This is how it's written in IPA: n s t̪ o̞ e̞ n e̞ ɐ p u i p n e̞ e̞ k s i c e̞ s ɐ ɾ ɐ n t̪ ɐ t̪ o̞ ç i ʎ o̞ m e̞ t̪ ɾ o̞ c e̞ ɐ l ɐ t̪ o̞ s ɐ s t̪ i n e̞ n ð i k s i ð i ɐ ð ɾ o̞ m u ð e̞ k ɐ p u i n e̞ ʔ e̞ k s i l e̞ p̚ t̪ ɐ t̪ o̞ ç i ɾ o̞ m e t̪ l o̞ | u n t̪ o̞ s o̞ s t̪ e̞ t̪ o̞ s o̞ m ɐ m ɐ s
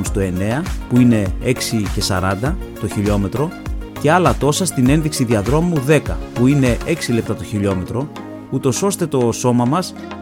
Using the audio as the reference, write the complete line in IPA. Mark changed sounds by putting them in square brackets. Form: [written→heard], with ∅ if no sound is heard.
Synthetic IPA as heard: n s t̪ o̞ e̞ n e̞ ɐ p u i [p→∅] n e̞ e̞ k s i c e̞ s ɐ ɾ ɐ n [t̪→d̪] ɐ t̪ o̞ ç i ʎ o̞ m e̞ t̪ ɾ o̞ c e̞ ɐ l ɐ t̪ o̞ s ɐ s t̪ i n e̞ n ð i k s i ð i ɐ ð ɾ o̞ m u ð e̞ k ɐ p u i n e̞ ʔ e̞ k s i l e̞ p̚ t̪ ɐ t̪ o̞ ç i [ɾ→ʎ] o̞ m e t̪ [l→ɾ] o̞ | u [n→∅] t̪ o̞ s o̞ s t̪ e̞ t̪ o̞ s o̞ m ɐ m ɐ s